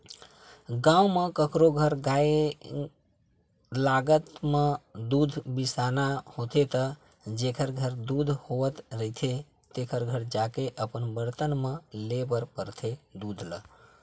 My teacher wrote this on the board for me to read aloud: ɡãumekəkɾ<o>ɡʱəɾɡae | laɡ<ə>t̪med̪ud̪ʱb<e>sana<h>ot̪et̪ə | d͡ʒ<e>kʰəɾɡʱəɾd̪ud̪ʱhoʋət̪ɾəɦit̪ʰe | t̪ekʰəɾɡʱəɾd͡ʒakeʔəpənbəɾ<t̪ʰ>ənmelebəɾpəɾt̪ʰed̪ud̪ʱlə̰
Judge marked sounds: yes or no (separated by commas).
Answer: yes, yes, no, yes, yes, no